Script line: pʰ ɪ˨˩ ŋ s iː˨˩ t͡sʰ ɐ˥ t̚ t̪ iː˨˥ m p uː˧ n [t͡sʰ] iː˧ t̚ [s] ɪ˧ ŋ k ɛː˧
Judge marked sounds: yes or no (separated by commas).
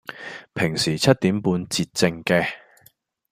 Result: no, no